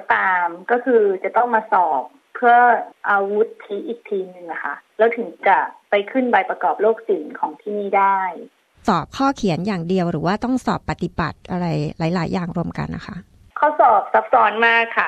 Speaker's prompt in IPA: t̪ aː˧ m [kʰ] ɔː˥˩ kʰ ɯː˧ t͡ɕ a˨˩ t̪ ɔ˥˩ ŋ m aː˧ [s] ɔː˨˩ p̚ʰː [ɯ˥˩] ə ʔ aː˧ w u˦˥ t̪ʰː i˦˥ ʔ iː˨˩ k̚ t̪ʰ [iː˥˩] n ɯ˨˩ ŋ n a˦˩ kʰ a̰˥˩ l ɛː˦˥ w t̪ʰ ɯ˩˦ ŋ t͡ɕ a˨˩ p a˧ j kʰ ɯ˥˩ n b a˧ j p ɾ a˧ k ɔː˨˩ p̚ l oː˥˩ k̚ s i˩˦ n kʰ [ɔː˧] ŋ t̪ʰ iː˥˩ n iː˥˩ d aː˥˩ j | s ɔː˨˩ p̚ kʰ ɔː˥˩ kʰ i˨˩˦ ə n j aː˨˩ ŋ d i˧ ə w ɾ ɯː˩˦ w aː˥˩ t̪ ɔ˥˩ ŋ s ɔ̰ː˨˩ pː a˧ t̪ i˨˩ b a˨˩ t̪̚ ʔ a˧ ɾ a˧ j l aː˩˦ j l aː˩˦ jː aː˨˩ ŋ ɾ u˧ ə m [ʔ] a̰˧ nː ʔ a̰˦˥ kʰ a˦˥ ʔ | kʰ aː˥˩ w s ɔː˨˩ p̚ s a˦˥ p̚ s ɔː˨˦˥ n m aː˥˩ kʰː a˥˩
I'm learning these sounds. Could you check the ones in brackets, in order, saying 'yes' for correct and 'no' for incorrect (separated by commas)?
no, yes, yes, no, no, no